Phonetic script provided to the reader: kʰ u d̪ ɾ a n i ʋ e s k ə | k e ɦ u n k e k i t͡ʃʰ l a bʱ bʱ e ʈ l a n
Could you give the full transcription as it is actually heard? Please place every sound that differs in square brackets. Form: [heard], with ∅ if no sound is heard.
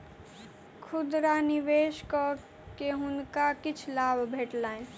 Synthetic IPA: kʰ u d̪ ɾ a n i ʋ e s k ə | k e ɦ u n k [a] k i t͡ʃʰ l a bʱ bʱ e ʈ l a n